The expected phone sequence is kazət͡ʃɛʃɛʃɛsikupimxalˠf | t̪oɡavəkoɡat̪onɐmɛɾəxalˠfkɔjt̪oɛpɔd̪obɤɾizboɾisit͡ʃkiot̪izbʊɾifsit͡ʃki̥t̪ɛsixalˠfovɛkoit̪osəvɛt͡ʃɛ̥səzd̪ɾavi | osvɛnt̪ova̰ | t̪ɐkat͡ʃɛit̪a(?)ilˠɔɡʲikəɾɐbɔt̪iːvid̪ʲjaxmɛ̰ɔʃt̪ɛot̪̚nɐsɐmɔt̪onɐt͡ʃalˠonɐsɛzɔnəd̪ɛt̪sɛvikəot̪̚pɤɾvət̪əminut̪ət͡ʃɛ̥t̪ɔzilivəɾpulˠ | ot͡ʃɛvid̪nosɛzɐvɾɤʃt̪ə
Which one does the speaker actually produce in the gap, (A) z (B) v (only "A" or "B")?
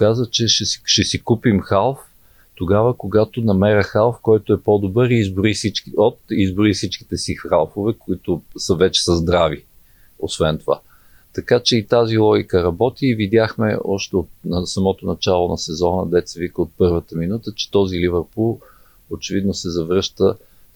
A